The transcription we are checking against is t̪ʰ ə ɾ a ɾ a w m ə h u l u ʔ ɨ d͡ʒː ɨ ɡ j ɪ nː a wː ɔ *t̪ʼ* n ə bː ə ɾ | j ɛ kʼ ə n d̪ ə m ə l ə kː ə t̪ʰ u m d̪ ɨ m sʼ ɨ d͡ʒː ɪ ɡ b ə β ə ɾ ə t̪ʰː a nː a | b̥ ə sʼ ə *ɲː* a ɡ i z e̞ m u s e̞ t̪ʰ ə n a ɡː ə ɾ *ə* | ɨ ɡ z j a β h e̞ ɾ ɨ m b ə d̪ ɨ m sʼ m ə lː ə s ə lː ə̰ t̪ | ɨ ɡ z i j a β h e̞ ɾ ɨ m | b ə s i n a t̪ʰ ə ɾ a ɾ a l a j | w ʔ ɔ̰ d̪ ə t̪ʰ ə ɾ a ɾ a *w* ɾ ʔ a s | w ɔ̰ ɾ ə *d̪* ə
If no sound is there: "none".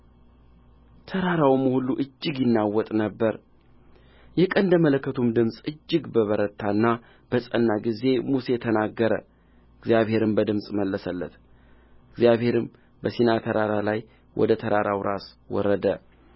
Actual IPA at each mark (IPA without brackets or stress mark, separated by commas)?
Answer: t̪ʼ, nː, ə, w, d̪